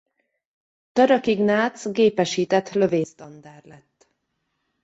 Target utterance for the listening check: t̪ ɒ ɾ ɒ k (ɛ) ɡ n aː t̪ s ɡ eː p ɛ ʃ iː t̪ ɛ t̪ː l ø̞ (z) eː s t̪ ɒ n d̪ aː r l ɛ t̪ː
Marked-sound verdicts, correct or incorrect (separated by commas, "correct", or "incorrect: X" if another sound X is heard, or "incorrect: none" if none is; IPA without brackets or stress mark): incorrect: i, incorrect: v